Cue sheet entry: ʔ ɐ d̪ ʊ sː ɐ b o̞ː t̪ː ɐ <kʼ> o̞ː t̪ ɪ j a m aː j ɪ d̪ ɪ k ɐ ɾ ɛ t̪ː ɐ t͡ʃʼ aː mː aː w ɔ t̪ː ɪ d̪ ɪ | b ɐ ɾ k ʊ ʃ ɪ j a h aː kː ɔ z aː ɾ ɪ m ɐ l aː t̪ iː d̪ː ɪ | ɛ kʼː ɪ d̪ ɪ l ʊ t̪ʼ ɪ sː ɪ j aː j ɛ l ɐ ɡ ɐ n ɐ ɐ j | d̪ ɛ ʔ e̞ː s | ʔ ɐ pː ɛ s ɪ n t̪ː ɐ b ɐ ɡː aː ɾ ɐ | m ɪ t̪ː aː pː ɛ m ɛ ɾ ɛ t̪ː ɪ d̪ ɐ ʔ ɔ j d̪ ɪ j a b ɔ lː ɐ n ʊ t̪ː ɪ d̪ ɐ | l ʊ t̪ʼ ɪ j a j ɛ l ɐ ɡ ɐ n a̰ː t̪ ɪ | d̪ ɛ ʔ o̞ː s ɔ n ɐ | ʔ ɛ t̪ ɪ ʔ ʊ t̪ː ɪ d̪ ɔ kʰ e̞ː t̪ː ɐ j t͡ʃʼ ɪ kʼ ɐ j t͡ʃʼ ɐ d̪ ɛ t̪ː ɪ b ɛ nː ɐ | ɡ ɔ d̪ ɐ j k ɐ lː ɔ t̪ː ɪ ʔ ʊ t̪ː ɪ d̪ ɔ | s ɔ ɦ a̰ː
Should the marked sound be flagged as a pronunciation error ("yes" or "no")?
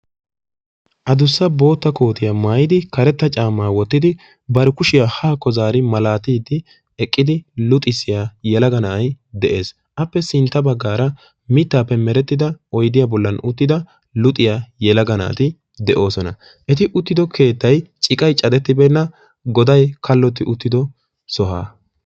yes